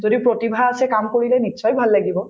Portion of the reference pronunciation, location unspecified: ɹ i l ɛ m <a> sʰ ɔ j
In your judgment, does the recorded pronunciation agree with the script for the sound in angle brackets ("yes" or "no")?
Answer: no